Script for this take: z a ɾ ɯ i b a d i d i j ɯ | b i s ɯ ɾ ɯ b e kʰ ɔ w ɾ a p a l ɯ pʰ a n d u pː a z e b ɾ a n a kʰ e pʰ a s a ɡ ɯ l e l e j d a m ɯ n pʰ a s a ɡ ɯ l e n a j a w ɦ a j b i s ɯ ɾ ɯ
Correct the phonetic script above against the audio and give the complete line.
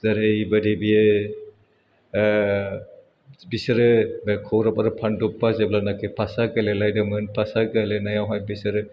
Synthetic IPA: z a ɾ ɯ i b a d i b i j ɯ | b i s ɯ ɾ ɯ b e kʰ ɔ w ɾ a p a ɾ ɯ pʰ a n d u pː a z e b l a n a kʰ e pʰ a s a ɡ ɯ l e l a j d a m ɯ n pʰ a s a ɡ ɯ l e n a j a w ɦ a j b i s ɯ ɾ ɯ